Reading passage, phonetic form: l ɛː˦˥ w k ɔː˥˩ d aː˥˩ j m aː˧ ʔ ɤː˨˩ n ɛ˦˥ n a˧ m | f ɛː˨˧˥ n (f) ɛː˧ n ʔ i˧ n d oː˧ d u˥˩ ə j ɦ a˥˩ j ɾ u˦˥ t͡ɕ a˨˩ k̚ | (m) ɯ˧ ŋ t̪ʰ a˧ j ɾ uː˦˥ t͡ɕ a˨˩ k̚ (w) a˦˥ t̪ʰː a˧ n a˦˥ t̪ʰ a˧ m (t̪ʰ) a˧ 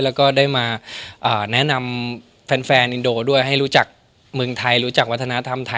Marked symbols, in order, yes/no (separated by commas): yes, yes, yes, yes